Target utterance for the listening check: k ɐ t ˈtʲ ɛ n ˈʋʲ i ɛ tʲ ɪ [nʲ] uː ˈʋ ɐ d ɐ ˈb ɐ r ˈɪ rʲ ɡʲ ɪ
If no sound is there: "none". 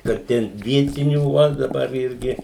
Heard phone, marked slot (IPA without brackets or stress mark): nʲ